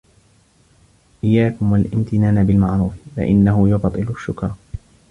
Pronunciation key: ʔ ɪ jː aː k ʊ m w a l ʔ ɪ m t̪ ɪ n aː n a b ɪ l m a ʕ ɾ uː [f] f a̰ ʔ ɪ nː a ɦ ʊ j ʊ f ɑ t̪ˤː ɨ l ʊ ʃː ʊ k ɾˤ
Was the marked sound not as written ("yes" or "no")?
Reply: no